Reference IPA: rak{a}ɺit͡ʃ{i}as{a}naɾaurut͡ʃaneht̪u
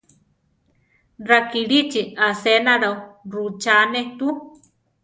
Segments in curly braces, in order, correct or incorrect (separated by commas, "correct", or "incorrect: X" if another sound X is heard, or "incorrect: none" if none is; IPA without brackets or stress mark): incorrect: i, correct, incorrect: e